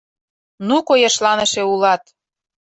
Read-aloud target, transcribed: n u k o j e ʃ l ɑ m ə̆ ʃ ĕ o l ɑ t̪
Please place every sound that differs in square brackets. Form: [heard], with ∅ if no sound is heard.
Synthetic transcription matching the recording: n u k o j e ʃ l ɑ [n] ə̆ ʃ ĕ [u] l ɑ t̪